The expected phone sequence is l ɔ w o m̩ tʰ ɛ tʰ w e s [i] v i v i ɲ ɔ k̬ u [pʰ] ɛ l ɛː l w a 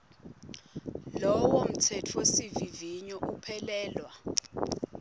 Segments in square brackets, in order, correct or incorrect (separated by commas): correct, correct